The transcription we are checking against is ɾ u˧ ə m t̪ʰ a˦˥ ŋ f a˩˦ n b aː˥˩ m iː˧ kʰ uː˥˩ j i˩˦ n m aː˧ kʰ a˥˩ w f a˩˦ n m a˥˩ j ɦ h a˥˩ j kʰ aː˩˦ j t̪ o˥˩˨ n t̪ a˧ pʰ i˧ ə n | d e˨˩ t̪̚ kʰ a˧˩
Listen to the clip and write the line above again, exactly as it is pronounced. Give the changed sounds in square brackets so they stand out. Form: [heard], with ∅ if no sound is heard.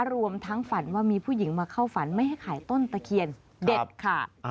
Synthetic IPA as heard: ɾ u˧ ə m t̪ʰ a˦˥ ŋ f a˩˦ n [w] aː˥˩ m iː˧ [pʰ] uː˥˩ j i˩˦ [ŋ] m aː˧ kʰ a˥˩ w f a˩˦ n m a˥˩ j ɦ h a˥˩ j kʰ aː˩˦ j t̪ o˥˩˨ n t̪ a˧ [kʰ] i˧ ə n | d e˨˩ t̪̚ kʰ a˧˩